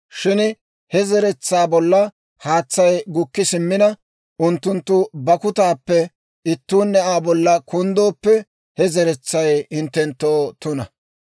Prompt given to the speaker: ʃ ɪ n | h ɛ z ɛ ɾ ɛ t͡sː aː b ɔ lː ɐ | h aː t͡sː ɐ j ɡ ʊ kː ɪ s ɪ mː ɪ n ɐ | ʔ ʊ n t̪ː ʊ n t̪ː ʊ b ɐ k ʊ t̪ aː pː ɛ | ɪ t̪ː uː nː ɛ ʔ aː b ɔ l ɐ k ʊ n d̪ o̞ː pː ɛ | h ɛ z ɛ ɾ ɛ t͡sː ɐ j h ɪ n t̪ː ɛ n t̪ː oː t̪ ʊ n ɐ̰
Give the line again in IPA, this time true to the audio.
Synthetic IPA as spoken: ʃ ɪ n | h ɛ z ɛ ɾ ɛ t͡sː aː b ɔ lː ɐ | h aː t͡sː ɐ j ɡ ʊ kː ɪ s ɪ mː ɪ n ɐ | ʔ ʊ n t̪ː ʊ n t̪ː ʊ b ɐ k ʊ t̪ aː pː ɛ | ɪ t̪ː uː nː ɛ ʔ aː b ɔ lː ɐ k ʊ n d̪ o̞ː pː ɛ | h ɛ z ɛ ɾ ɛ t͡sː ɐ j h ɪ n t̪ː ɛ n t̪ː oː t̪ ʊ n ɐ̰